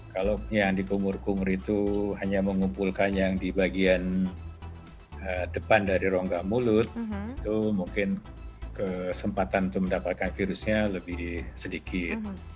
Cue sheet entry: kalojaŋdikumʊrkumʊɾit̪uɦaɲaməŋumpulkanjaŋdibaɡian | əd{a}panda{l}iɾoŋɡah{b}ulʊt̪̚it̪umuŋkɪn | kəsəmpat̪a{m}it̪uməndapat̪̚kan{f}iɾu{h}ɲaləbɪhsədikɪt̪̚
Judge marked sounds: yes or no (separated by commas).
no, no, no, no, yes, no